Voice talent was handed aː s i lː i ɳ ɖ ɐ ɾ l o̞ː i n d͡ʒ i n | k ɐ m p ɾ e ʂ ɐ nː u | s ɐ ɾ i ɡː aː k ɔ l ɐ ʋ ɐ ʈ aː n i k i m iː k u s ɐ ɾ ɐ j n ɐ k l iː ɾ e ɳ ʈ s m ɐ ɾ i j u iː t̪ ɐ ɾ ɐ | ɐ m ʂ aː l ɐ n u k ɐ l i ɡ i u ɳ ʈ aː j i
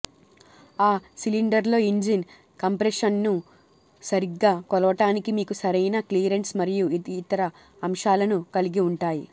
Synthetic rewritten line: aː s i l i ɳ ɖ ɐ ɾ l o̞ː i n d͡ʒ i n | k ɐ m p ɾ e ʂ ɐ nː u | s ɐ ɾ i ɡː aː k ɔ l ɐ ʋ ɐ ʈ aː n i k i m iː k u s ɐ ɾ ɐ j n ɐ k l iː ɾ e ɳ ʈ s m ɐ ɾ i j u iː t̪ ɐ ɾ ɐ | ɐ m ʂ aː l ɐ n u k ɐ l i ɡ i u ɳ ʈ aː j i